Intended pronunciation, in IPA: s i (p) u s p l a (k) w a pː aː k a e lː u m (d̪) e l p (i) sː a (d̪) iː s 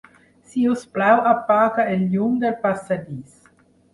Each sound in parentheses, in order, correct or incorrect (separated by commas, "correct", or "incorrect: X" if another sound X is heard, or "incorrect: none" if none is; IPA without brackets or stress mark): incorrect: none, incorrect: none, correct, incorrect: a, correct